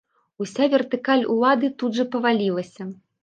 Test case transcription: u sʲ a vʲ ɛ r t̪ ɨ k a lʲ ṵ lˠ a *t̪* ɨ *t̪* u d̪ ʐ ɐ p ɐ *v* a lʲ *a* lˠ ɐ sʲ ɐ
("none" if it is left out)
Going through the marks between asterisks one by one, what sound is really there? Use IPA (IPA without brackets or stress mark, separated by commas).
d̪, t̪, v, i